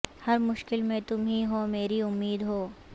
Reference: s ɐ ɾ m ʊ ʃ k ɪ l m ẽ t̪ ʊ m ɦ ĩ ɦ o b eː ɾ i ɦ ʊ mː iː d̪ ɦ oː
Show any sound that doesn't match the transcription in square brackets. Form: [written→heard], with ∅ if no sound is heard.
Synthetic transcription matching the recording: [s→h] ɐ ɾ m ʊ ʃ k ɪ l m ẽ t̪ ʊ m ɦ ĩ ɦ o [b→m] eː ɾ i [ɦ→∅] ʊ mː iː d̪ ɦ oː

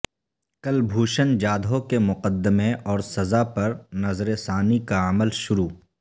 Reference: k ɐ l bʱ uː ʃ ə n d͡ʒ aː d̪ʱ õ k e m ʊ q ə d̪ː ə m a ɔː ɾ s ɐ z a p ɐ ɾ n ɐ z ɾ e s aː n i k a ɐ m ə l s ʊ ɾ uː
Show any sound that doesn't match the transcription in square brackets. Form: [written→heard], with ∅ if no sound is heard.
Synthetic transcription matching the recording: k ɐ l bʱ uː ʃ ə n d͡ʒ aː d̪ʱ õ k e m ʊ q ə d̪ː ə m [a→e] ɔː ɾ s ɐ z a p ɐ ɾ n ɐ z ɾ e s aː n i k a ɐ m ə l [s→ʃ] ʊ ɾ uː

